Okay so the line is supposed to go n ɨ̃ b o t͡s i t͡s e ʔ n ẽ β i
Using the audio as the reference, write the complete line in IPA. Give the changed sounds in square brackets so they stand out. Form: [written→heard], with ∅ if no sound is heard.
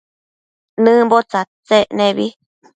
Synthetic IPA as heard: n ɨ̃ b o t͡s [i→a] t͡s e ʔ n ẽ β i